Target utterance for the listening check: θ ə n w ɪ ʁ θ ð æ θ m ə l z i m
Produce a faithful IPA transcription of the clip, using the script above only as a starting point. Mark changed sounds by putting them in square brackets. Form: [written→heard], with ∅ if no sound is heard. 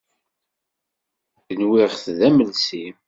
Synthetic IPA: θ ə n w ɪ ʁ θ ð æ [θ→∅] m ə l [z→s] i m